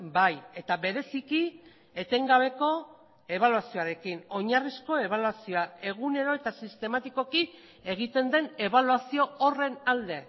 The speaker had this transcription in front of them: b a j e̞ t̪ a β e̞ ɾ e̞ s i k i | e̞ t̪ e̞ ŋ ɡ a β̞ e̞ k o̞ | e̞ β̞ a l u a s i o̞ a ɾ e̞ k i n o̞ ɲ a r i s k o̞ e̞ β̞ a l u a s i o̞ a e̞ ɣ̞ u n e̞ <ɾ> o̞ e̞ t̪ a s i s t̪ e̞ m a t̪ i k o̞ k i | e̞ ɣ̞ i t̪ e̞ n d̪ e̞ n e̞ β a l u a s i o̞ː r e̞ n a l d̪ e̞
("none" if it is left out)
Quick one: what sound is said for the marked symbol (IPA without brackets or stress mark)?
ɾ